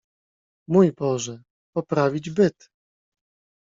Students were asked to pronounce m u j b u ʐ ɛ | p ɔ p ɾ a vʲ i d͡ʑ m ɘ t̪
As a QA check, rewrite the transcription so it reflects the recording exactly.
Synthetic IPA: m u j b ɔ ʐ ɛ | p ɔ p ɾ a vʲ i d͡ʑ b ɘ t̪